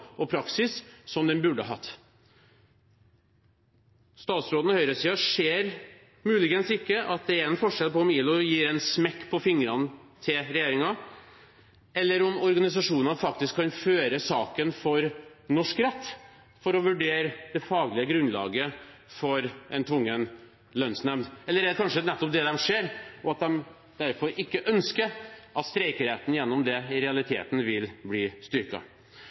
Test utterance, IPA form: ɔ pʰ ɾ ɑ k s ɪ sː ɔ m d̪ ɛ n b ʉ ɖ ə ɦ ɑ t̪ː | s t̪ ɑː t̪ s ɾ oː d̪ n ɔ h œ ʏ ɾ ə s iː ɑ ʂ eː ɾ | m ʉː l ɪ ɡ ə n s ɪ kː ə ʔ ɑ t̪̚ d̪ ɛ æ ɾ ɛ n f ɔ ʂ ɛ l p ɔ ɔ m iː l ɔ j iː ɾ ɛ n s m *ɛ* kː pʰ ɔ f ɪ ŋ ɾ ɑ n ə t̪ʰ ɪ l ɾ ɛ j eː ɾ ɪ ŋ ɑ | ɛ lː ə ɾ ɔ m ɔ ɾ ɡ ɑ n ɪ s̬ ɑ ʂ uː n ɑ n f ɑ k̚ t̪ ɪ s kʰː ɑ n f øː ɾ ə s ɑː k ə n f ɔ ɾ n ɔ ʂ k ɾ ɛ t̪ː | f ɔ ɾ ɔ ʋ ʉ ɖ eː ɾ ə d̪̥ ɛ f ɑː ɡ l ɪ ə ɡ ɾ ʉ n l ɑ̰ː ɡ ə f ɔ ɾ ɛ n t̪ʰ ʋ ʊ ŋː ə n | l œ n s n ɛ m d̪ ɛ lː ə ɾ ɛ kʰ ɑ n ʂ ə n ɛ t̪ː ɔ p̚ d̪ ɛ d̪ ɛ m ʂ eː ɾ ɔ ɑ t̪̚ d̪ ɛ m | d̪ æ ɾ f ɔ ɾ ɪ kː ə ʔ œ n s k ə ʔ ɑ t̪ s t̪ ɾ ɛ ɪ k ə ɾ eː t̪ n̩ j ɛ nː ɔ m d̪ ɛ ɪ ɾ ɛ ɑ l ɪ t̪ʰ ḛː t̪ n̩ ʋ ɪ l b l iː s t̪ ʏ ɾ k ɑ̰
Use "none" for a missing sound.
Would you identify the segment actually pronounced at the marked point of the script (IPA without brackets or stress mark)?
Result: ɛ